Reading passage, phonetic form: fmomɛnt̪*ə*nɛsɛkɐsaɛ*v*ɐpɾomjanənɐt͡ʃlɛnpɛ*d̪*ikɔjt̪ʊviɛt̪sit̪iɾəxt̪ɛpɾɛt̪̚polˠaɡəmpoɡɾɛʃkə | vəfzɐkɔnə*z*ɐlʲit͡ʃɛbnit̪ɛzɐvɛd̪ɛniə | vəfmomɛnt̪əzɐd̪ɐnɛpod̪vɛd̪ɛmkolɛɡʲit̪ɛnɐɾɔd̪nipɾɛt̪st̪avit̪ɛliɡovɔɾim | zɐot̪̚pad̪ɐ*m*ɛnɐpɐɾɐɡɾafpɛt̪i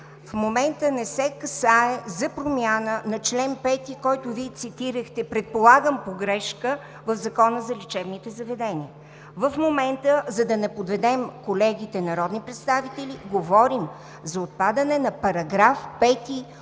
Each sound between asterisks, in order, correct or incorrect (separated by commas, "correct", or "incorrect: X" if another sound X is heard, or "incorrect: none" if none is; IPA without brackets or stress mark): correct, incorrect: z, incorrect: t̪, correct, incorrect: n